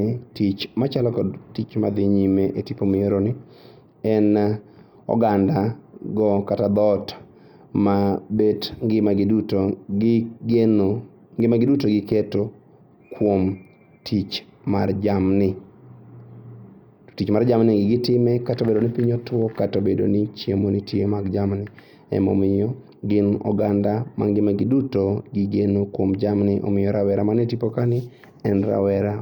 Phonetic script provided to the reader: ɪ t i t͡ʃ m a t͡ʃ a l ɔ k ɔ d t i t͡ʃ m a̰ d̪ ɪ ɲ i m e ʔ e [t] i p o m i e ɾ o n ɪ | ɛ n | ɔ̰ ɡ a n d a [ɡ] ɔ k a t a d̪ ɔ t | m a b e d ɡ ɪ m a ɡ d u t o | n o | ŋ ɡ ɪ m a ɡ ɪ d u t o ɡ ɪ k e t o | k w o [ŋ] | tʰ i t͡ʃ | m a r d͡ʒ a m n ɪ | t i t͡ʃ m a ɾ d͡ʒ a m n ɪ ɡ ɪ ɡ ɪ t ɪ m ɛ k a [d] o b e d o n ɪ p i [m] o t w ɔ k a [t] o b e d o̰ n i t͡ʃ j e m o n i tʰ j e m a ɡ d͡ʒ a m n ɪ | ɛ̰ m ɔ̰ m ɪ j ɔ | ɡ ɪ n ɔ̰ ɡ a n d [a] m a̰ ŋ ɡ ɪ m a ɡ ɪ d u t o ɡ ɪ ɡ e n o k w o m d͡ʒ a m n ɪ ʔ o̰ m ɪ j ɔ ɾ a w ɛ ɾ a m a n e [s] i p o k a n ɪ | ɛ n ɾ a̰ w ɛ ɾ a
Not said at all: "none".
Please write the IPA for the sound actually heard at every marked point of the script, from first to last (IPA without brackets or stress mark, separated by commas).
t, ɡ, m, t, ɲ, t, a, t